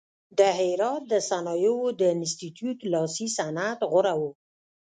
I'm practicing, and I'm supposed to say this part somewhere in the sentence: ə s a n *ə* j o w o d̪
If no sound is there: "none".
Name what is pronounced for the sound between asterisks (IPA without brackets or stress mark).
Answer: ɑ